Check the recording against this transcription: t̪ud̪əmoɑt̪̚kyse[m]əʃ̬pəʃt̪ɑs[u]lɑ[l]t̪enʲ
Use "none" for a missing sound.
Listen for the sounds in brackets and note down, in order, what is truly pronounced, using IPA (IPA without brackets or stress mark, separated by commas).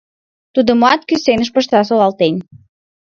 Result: n, o, l